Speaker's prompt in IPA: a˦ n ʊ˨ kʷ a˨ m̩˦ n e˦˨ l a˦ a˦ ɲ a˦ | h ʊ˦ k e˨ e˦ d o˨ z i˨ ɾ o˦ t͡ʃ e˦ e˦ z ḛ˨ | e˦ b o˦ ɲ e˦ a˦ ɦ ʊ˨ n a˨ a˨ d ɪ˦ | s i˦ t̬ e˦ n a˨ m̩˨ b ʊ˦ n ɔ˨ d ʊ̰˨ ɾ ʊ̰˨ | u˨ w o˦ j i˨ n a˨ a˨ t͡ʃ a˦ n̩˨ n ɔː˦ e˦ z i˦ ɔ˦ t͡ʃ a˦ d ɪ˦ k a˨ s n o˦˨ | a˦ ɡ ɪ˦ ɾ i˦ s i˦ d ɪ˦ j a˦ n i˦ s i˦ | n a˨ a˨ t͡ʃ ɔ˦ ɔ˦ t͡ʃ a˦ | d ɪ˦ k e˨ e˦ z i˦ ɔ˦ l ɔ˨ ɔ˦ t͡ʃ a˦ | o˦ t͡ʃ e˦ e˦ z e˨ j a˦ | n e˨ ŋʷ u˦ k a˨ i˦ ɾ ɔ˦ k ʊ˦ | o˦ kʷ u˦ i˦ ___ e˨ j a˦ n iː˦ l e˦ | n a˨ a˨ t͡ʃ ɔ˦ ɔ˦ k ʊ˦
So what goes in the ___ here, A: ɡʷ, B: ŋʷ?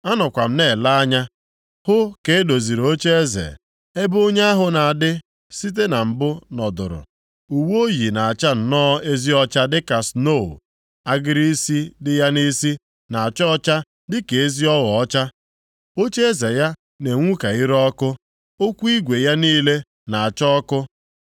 A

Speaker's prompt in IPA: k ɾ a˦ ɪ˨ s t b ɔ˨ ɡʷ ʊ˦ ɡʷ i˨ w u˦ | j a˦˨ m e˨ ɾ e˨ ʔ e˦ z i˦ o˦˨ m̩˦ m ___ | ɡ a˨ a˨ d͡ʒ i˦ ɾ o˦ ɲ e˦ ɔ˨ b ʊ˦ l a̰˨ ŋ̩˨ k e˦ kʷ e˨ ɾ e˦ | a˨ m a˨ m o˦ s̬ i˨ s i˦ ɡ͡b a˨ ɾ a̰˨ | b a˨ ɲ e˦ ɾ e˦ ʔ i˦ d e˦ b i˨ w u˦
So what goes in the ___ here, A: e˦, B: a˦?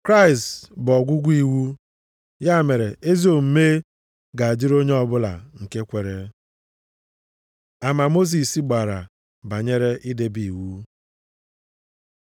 A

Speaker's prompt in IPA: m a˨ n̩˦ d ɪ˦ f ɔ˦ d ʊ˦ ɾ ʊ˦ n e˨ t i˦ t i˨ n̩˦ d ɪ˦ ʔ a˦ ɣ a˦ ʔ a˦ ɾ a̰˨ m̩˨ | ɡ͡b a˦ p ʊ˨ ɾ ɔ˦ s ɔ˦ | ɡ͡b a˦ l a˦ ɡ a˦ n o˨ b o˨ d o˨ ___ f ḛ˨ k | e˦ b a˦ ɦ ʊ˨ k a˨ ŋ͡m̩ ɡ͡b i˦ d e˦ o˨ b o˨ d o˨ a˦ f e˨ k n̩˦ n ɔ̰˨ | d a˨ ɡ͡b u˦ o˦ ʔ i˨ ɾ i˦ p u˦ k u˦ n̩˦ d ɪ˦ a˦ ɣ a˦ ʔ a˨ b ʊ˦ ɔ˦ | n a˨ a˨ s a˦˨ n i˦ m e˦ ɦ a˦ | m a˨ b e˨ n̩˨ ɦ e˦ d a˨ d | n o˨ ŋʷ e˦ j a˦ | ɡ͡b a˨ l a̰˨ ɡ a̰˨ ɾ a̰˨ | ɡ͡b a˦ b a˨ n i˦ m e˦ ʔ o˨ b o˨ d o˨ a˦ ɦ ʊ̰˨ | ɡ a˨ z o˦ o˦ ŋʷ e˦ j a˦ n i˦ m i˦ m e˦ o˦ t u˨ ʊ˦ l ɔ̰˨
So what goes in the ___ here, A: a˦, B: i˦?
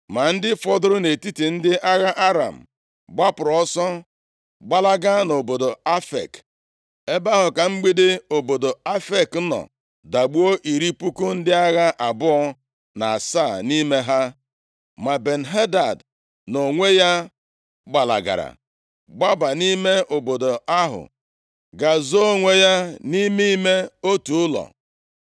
A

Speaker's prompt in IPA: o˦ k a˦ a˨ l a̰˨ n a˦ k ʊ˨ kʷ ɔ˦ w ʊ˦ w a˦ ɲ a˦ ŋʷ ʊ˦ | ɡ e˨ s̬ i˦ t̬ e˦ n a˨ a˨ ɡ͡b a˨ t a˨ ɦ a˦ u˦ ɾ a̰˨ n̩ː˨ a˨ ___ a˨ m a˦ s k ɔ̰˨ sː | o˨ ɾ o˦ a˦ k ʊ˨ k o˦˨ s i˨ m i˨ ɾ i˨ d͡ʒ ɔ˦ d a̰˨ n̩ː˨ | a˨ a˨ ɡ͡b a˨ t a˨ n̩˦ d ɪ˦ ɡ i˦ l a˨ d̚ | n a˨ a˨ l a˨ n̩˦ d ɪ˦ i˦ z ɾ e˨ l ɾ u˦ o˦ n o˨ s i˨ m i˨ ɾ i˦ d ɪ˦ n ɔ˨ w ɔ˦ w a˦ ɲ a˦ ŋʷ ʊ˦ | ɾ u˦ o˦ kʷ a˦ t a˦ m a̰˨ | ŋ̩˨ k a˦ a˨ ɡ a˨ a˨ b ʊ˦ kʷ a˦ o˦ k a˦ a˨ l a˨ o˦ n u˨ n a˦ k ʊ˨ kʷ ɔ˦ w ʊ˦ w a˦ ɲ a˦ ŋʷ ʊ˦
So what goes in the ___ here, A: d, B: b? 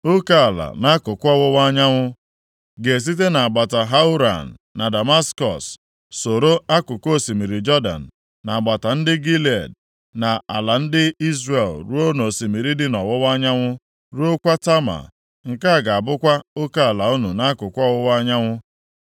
A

